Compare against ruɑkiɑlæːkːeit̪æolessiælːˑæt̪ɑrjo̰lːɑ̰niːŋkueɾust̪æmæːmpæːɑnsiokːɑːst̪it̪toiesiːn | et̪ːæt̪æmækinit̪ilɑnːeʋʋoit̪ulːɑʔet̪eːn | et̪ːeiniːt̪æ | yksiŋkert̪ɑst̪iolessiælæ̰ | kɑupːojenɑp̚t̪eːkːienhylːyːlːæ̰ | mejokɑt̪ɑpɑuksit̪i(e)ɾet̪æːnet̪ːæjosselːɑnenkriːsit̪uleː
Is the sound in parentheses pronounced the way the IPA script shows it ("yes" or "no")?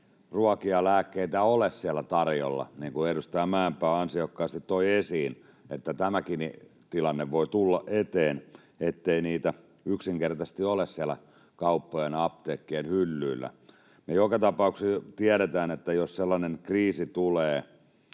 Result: no